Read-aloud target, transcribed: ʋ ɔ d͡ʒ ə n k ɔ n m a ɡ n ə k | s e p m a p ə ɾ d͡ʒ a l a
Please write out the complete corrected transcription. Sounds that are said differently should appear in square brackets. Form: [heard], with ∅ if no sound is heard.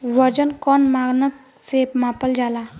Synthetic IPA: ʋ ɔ d͡ʒ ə n k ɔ n m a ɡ n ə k | s e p m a p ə [l] d͡ʒ a l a